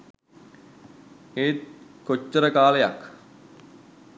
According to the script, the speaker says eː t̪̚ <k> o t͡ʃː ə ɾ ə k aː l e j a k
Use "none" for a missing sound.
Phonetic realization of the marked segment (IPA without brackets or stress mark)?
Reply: k